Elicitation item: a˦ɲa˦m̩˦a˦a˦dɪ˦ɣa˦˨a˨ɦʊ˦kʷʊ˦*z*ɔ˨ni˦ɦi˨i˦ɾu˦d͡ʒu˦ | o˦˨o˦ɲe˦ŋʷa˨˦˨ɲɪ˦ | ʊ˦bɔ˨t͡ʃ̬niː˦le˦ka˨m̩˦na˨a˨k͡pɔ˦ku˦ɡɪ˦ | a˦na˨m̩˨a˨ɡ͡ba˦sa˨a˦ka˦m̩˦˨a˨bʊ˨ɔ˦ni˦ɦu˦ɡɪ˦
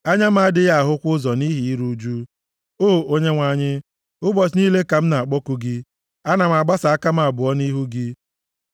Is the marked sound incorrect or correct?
correct